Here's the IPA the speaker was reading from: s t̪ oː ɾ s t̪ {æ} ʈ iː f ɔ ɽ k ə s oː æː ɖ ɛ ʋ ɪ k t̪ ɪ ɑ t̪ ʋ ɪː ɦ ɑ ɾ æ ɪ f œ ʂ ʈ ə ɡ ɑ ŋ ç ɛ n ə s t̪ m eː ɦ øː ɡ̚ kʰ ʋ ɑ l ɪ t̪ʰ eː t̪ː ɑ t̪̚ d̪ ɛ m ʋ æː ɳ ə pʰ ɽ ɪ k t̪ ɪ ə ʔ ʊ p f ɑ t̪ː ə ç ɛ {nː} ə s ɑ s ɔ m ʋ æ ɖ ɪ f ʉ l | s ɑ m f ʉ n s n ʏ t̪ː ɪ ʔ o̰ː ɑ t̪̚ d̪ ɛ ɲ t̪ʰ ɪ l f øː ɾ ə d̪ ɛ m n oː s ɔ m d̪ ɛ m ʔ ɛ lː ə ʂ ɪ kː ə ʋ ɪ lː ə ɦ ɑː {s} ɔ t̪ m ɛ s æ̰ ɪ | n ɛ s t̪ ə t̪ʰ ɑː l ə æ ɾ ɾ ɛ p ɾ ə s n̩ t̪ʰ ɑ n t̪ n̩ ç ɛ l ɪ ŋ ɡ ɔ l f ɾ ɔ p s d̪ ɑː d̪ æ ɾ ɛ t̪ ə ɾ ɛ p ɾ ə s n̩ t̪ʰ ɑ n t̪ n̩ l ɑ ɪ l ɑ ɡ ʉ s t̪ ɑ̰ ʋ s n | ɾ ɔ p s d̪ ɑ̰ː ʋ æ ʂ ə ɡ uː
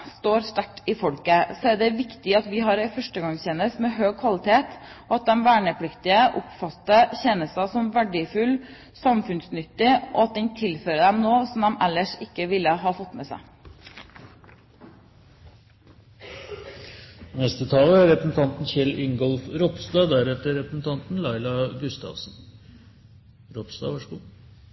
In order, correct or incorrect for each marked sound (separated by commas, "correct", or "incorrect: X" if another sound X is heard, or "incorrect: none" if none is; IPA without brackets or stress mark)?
correct, incorrect: n, incorrect: f